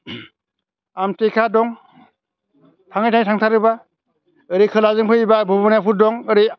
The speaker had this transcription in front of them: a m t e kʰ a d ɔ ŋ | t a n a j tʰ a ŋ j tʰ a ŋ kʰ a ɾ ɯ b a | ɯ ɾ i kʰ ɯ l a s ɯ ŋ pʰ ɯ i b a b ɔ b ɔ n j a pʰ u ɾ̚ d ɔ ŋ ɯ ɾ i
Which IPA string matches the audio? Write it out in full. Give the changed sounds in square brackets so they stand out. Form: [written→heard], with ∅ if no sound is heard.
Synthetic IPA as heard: a m t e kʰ a d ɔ ŋ | [t→tʰ] a [n→ŋ] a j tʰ a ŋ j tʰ a ŋ [kʰ→tʰ] a ɾ ɯ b a | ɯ ɾ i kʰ ɯ l a [s→z] ɯ ŋ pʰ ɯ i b a b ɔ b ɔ n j a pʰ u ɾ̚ d ɔ ŋ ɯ ɾ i